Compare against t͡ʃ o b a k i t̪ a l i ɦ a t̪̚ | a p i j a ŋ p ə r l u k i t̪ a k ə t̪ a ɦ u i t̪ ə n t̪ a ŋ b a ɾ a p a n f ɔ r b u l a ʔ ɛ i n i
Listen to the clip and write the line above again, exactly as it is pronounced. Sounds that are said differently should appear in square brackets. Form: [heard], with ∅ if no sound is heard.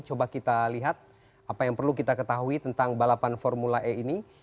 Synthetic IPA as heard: t͡ʃ o b a k i t̪ a l i ɦ a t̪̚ | a p [a] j a ŋ p ə r l u k i t̪ a k ə t̪ a ɦ u i t̪ ə n t̪ a ŋ b a [l] a p a n f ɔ r [m] u l a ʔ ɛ i n i